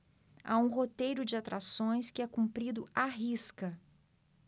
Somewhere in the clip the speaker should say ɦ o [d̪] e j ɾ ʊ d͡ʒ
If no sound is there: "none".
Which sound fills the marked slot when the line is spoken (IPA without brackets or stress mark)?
t̪